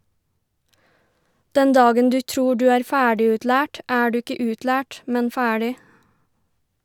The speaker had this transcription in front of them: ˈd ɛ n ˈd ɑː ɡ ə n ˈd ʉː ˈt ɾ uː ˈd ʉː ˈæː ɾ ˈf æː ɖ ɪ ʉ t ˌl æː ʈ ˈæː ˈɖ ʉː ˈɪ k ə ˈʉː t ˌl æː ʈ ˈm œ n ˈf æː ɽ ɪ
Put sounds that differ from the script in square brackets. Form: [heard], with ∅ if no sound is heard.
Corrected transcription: ˈd ɛ n ˈd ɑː ɡ ə n ˈd ʉː ˈt ɾ uː ˈd ʉː ˈæː ɾ ˈf æː ɖ ɪ ʉ t ˌl æː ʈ ˈæː ˈɖ ʉː ˈɪ k ə ˈʉː t ˌl æː ʈ ˈm [ɛ] n ˈf æː ɽ ɪ